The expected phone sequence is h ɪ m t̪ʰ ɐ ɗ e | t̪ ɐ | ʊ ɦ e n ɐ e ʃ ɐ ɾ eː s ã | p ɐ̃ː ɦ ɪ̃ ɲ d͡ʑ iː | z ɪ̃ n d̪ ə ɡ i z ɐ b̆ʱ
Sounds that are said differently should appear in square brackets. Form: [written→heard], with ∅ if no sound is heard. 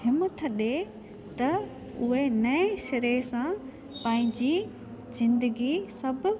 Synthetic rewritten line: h ɪ m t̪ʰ ɐ ɗ e | t̪ ɐ | ʊ ɦ e n ɐ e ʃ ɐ ɾ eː s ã | p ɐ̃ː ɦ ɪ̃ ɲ d͡ʑ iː | z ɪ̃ n d̪ ə ɡ i [z→s] ɐ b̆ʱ